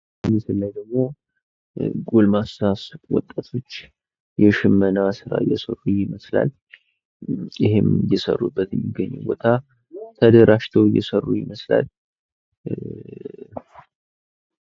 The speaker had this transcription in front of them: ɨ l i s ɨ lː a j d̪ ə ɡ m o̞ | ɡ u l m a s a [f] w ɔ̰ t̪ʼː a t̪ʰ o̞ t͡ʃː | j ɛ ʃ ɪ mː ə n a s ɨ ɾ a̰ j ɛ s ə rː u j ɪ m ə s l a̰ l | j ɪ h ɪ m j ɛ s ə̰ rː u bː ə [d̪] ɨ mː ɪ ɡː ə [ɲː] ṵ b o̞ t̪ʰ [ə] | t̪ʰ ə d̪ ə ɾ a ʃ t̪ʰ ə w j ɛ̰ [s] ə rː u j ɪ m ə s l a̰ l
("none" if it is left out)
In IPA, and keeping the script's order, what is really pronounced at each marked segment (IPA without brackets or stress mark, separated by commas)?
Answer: s, t̪, ɲː, a, s